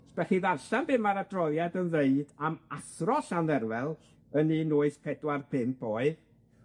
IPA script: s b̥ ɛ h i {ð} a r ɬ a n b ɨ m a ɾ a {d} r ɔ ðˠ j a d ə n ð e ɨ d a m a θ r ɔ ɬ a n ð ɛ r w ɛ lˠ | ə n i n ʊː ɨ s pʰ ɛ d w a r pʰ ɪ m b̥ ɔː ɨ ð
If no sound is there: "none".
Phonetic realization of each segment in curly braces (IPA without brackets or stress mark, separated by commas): ð, d